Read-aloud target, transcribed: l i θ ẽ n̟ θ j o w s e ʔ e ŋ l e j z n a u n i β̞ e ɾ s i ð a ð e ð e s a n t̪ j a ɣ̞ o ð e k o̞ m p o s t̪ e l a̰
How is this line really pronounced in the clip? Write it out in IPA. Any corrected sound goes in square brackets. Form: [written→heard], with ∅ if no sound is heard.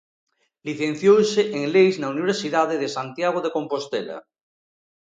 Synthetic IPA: l i θ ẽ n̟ θ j o w s e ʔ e ŋ l e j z n a u n i β̞ e ɾ s i ð a ð e ð e s a n t̪ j a ɣ̞ o ð e k o̞ m p o s t̪ e l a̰